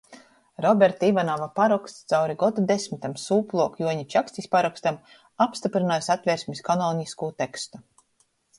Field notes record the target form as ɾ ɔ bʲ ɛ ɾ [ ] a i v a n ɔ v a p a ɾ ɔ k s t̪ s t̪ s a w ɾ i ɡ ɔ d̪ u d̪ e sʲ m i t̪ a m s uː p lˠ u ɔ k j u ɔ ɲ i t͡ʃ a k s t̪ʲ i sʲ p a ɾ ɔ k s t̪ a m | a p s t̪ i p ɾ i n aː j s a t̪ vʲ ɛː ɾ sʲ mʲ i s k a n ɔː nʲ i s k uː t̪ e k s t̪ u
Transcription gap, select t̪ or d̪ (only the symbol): t̪